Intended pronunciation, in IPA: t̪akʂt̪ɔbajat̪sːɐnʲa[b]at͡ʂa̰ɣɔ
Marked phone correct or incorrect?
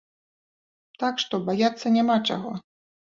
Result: incorrect